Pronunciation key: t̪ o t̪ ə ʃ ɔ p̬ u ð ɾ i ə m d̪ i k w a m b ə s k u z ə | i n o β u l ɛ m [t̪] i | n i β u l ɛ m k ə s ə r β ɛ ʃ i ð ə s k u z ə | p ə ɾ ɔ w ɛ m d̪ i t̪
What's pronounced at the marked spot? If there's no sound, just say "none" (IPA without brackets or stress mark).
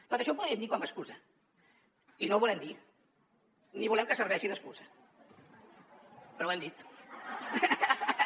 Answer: d̪